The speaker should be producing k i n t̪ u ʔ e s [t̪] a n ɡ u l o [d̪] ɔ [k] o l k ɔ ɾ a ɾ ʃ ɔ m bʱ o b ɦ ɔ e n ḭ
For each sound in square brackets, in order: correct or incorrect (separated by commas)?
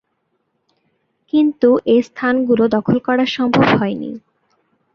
incorrect, correct, incorrect